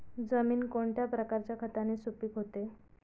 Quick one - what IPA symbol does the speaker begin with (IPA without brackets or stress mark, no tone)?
d͡z